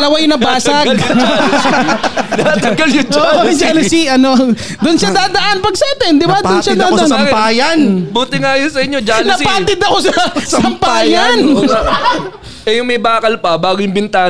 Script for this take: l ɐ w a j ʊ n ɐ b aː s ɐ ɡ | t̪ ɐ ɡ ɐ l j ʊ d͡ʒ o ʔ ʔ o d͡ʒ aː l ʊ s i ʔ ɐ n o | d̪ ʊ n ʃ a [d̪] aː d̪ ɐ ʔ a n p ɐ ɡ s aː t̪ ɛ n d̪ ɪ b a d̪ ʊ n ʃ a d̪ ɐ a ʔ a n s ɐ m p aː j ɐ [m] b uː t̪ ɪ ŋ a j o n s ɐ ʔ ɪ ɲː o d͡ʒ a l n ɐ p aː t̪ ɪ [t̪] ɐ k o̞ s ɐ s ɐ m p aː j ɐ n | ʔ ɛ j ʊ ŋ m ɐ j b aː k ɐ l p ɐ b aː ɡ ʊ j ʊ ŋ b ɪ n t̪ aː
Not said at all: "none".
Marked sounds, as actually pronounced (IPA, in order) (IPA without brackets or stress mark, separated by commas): d̪, n, d̪